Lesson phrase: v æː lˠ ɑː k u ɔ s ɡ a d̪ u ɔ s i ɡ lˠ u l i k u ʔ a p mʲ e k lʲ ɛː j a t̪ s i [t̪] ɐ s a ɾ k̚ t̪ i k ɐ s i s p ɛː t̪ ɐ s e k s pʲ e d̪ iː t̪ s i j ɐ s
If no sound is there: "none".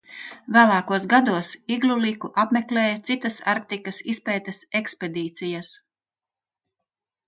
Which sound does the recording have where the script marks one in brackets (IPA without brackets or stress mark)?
t̪